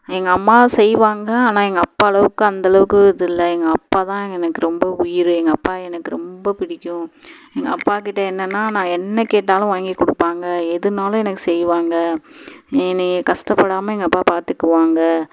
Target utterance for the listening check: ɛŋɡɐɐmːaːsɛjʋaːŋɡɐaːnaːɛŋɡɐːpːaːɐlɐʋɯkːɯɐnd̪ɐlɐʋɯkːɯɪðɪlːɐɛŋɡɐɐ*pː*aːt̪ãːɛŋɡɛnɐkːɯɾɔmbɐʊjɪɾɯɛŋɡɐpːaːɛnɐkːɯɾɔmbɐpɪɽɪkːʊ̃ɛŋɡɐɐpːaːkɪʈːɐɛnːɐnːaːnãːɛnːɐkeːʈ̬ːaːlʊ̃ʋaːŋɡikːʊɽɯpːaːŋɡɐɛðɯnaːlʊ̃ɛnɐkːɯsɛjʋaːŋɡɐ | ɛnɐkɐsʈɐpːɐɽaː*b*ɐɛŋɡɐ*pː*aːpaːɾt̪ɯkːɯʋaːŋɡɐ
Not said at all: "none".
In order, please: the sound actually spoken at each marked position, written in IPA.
pː, m, pː

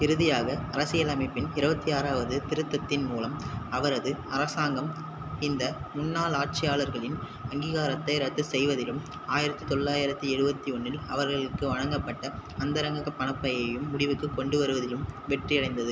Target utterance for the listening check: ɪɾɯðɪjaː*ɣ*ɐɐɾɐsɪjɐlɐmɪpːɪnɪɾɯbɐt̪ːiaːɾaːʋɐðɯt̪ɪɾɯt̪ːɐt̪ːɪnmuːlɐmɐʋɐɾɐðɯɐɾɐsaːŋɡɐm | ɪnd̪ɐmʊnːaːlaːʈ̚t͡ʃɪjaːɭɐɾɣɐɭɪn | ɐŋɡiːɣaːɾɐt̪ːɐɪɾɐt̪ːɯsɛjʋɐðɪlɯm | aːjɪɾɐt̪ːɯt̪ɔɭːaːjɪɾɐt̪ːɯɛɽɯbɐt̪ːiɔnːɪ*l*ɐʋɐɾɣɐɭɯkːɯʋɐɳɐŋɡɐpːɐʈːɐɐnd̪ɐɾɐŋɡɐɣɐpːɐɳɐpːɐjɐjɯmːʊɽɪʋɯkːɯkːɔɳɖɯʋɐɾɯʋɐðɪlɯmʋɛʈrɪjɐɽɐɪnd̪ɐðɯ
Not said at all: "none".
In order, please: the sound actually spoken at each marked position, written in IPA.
ɣ, l

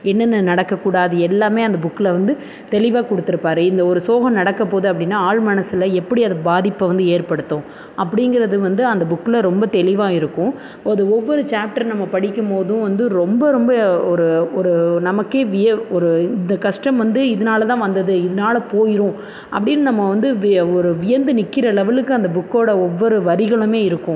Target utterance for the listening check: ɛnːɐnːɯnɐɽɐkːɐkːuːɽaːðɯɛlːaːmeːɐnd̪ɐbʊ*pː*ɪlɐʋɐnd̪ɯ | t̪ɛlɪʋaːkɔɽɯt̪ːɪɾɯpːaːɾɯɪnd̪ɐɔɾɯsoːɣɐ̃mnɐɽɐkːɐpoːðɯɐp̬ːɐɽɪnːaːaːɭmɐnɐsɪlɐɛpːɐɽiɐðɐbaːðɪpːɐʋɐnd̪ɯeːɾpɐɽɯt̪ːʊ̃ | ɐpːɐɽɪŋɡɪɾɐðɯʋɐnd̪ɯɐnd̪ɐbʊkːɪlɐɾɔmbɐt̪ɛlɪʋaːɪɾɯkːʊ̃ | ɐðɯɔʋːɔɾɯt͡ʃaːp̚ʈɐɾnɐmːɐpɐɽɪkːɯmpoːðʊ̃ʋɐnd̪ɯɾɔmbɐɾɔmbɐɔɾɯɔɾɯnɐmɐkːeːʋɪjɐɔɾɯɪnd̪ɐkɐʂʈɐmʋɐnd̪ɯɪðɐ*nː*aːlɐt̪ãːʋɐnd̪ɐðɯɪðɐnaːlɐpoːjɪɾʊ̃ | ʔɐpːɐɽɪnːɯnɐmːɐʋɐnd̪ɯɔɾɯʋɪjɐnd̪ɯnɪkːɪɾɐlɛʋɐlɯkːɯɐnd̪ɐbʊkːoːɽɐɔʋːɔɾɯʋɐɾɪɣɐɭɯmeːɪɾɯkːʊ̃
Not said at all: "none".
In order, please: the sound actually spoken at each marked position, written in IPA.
kː, n

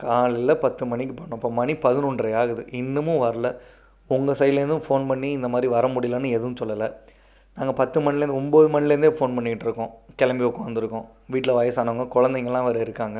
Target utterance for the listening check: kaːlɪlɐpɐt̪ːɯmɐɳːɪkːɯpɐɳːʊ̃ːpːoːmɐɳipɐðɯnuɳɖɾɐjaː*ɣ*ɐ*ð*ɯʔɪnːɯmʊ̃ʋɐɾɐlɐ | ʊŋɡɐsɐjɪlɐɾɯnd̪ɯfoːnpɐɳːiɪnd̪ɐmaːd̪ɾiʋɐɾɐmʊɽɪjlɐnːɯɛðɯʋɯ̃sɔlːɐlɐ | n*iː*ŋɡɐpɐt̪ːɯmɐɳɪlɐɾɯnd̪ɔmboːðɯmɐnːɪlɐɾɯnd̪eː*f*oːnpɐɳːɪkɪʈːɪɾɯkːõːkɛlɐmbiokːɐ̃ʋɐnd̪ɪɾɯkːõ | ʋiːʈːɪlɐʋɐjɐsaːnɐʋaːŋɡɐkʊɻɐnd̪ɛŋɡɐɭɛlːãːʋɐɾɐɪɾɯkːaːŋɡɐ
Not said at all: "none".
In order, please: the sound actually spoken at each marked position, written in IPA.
ɣ, ð, aː, f

